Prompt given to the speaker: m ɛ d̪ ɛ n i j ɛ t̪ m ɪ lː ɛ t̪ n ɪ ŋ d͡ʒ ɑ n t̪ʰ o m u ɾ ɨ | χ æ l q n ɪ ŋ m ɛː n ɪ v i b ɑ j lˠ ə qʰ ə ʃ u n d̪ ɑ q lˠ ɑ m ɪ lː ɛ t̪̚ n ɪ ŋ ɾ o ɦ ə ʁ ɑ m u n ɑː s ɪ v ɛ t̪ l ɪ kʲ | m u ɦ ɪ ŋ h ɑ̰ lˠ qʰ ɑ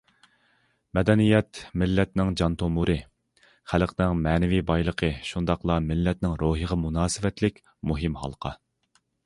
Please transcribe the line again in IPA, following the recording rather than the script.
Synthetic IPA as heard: m ɛ d̪ ɛ n i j ɛ t̪ m ɪ lː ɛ t̪ n ɪ ŋ d͡ʒ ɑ n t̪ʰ o m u ɾ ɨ | χ æ l q n ɪ ŋ m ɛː n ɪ v i b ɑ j lˠ ə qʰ ə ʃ u n d̪ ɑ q lˠ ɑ m ɪ lː ɛ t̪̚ n ɪ ŋ ɾ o ɦ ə ʁ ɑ m u n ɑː s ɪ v ɛ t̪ l ɪ kʲ | m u ɦ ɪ m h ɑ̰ lˠ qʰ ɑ

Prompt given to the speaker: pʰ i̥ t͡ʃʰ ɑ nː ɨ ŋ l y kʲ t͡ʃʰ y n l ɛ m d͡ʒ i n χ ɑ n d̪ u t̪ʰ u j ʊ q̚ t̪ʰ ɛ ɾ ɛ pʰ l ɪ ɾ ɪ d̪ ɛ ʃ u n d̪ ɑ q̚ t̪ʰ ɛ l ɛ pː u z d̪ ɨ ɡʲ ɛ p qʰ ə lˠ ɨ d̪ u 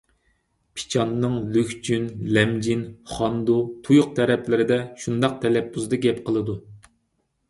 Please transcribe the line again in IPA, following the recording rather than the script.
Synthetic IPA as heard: pʰ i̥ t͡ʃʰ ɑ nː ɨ ŋ l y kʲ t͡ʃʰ y n l ɛ m d͡ʒ i n χ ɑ n d̪ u t̪ʰ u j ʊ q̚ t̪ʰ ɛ ɾ ɛ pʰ l ɪ ɾ ɪ d̪ ɛ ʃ u n d̪ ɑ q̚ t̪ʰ ɛ l ɛ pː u z d̪ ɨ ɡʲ ɛ p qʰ ə lˠ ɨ d̪ u

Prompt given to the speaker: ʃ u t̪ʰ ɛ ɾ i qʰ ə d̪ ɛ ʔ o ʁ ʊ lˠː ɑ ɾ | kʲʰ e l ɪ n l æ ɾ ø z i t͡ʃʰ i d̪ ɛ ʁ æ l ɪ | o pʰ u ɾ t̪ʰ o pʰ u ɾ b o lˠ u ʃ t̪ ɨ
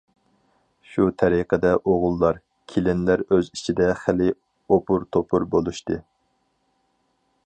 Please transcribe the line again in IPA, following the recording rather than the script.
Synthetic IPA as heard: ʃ u t̪ʰ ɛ ɾ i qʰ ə d̪ ɛ ʔ o ʁ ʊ lˠː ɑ ɾ | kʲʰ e l ɪ n l æ ɾ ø z i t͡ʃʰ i d̪ ɛ χ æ l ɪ | o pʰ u ɾ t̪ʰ o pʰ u ɾ b o lˠ u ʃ t̪ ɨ

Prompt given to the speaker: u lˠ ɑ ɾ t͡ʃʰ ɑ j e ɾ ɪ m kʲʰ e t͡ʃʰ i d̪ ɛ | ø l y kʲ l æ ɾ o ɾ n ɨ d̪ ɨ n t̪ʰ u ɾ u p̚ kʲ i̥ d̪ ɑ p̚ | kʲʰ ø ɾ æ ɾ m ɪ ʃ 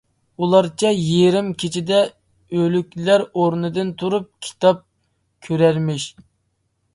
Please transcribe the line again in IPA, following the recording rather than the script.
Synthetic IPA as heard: u lˠ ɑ ɾ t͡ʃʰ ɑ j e ɾ ɪ m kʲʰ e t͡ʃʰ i d̪ ɛ | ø l y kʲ l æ ɾ o ɾ n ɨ d̪ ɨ n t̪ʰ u ɾ u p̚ kʲʰ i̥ t̪ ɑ p̚ | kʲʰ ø ɾ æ ɾ m ɪ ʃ

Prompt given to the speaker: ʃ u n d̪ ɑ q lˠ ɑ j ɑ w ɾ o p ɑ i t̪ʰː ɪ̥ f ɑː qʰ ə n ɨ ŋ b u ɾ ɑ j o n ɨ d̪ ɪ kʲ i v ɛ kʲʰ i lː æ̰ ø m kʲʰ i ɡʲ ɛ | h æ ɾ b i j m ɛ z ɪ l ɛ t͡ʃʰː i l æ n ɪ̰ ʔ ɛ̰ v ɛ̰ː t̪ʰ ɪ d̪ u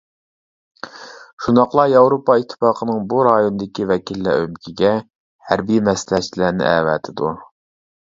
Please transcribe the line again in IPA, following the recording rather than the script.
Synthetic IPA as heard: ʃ u n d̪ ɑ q lˠ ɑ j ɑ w ɾ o p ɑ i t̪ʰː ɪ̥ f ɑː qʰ ə n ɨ ŋ b u ɾ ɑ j o n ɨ d̪ ɪ kʲ i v ɛ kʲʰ i lː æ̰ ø m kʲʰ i ɡʲ ɛ | h æ ɾ b i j m ɛ s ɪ l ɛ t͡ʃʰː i l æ n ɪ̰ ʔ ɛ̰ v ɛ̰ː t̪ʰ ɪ d̪ u

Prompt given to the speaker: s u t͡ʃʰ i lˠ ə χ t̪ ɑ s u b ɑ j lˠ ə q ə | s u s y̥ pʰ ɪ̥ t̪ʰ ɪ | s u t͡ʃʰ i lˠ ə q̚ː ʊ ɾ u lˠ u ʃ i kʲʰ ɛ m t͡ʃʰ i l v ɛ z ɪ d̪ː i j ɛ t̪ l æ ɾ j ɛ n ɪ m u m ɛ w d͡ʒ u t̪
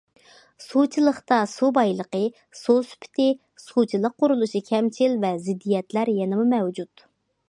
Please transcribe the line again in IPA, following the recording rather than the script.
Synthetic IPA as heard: s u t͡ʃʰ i lˠ ə χ t̪ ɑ s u b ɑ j lˠ ə q ə | s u s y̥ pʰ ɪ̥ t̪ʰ ɪ | s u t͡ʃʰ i lˠ ə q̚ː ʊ ɾ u lˠ u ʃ i kʲʰ ɛ m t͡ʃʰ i l v ɛ z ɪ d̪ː i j ɛ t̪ l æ ɾ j ɛ n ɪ m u m ɛ w d͡ʒ u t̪

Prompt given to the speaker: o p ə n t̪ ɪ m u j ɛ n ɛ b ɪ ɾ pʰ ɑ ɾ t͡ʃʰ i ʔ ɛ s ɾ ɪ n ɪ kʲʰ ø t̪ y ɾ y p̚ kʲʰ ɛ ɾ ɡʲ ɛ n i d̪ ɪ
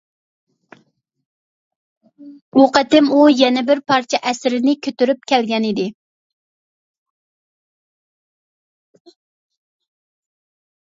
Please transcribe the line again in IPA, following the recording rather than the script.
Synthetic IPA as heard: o q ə t̪ ɪ m u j ɛ n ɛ b ɪ ɾ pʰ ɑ ɾ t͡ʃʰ ɛ ʔ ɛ s ɾ ɪ n ɪ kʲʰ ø t̪ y ɾ y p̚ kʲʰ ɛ l ɡʲ ɛ n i d̪ ɪ

